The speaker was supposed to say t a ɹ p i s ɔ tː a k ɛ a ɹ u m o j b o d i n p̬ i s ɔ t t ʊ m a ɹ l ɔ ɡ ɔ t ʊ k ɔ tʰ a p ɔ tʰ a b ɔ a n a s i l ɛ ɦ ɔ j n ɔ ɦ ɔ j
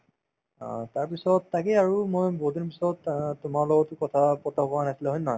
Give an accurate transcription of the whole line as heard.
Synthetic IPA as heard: t a ɹ p i s ɔ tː a k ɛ a ɹ u m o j b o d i n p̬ i s ɔ t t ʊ m a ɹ l ɔ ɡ ɔ t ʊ k ɔ tʰ a p ɔ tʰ a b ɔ a n a s i l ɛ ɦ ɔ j n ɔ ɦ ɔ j